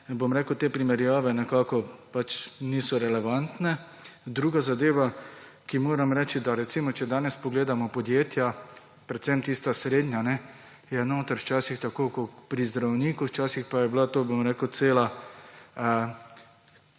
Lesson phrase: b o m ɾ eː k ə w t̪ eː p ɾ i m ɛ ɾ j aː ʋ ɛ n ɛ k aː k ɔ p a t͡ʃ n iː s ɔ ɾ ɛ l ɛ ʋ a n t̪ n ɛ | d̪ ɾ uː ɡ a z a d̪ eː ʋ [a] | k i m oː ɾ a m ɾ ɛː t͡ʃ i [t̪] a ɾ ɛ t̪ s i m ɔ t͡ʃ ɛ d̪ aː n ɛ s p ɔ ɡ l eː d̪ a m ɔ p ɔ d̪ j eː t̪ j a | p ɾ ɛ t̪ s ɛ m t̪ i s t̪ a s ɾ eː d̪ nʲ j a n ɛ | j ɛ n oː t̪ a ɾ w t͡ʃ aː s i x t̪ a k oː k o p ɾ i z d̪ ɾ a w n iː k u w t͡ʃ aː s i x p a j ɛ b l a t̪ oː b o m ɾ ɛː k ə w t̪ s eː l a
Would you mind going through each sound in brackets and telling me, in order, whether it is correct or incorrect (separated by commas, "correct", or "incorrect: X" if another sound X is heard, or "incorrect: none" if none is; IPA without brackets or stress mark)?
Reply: correct, incorrect: d̪